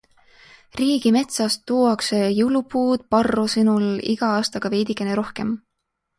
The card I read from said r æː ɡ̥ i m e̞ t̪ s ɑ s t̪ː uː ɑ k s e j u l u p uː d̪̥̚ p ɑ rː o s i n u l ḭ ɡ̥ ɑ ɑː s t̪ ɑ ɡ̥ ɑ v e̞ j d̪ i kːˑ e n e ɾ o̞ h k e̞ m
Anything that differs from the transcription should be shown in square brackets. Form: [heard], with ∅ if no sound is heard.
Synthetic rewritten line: r [iː] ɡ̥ i m e̞ t̪ s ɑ s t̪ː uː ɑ k s e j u l u p uː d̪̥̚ p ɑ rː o s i n u l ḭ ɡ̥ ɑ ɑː s t̪ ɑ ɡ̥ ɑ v e̞ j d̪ i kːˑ e n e ɾ o̞ h k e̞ m